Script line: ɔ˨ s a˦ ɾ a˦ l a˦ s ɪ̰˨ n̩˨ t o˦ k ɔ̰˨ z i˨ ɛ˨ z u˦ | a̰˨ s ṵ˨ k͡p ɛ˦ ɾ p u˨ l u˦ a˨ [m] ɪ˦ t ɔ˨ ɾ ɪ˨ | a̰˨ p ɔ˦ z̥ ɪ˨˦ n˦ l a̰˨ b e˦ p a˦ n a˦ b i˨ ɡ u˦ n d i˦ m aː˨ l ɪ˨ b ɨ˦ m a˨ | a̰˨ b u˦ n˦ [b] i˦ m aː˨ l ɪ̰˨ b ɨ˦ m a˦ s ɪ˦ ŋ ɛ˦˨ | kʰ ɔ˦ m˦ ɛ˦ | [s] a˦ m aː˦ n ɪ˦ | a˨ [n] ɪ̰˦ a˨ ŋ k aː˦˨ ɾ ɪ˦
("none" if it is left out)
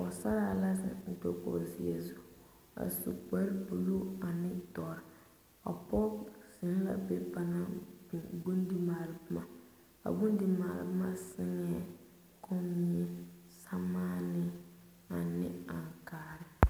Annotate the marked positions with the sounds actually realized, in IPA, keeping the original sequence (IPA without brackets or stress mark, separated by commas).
n, d, s, n